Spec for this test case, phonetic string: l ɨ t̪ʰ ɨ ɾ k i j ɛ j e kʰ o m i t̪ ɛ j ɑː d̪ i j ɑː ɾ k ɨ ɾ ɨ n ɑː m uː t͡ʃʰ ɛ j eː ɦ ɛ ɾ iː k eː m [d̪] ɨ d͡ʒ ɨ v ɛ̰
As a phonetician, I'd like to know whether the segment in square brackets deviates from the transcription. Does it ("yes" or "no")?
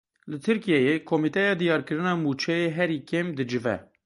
no